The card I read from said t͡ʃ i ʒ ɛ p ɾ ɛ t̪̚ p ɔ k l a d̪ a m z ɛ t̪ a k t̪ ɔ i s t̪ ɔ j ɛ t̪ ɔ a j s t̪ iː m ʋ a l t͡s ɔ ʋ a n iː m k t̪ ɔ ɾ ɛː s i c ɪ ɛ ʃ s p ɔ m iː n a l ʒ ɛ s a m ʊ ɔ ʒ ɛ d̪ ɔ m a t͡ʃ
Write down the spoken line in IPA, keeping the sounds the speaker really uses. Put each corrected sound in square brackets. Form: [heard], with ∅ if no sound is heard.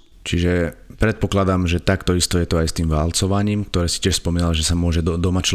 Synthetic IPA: t͡ʃ i ʒ ɛ p ɾ ɛ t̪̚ p ɔ k l a d̪ a m [ʒ] ɛ t̪ a k t̪ ɔ i s t̪ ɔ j ɛ t̪ ɔ a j s t̪ iː m ʋ a l t͡s ɔ ʋ a [ɲ] iː m k t̪ ɔ ɾ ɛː s i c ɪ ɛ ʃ s p ɔ m iː n a l ʒ ɛ s a m ʊ ɔ ʒ ɛ d̪ ɔ m a t͡ʃ